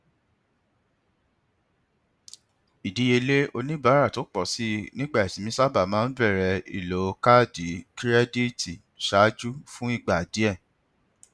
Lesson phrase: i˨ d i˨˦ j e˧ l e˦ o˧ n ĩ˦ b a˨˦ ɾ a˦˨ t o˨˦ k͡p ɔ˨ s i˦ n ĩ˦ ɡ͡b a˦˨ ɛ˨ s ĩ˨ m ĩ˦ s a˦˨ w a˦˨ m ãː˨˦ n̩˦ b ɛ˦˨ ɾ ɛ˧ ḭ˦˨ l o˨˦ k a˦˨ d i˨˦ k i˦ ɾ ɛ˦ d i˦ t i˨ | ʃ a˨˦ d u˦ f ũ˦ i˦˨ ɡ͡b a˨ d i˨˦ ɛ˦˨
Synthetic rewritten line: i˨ d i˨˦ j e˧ l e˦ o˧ n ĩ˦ b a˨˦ ɾ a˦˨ t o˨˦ k͡p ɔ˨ s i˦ n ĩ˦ ɡ͡b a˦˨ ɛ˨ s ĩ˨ m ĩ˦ s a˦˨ b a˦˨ m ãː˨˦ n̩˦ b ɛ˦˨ ɾ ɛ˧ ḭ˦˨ l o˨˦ k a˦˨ d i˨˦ k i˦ ɾ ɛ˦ d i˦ t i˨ | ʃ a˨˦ d͡ʒ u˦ f ũ˦ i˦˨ ɡ͡b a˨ d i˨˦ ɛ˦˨